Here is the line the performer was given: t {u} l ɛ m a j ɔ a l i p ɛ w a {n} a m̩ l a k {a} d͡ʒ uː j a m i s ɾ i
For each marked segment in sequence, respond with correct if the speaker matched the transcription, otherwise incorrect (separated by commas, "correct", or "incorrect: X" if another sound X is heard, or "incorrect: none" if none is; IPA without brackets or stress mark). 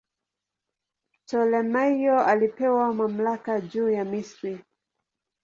incorrect: ɔ, incorrect: m, correct